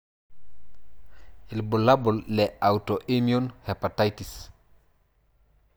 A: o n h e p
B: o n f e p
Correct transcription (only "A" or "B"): A